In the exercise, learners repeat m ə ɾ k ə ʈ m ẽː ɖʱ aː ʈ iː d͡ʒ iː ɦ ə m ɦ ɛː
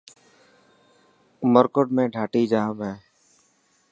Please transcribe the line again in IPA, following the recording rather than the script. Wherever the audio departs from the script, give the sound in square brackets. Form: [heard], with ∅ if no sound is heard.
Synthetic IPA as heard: m ə ɾ k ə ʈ m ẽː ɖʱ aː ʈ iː d͡ʒ [aː] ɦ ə m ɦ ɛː

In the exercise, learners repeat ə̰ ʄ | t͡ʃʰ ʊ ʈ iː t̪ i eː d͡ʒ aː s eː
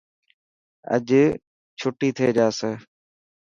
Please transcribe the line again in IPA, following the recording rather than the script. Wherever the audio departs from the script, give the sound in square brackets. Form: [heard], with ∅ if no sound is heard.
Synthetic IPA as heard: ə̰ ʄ | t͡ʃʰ ʊ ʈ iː [t̪ʰ] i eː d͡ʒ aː s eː

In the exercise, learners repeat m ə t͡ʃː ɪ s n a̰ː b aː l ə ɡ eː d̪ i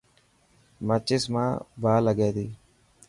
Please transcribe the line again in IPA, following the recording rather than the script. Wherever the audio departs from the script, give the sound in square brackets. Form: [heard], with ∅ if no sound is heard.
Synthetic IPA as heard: m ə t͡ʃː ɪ s [m] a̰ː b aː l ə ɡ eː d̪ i

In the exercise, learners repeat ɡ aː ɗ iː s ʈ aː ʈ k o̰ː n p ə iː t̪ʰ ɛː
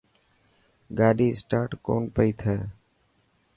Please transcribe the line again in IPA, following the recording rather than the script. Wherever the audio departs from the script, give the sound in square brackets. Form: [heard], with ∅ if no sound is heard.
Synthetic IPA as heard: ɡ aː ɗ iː s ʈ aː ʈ k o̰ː n p ə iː t̪ʰ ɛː

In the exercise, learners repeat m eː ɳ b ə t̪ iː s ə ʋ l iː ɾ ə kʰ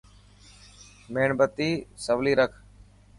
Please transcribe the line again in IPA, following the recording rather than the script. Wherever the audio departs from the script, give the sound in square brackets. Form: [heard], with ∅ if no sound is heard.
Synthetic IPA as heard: m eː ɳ b ə t̪ iː s ə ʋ l iː ɾ ə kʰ

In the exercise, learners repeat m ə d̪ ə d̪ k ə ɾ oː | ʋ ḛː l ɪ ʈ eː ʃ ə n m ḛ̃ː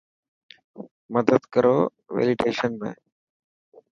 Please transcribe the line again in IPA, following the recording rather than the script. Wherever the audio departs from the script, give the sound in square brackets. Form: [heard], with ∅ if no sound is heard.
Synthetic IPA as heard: m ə d̪ ə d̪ k ə ɾ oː | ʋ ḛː l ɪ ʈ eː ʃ ə n m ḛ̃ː

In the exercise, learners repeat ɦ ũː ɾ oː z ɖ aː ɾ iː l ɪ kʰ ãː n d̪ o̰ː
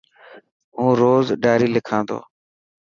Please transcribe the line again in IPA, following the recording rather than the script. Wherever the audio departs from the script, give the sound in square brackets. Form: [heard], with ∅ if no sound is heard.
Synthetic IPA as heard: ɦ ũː ɾ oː z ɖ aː ɾ iː l ɪ kʰ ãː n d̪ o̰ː

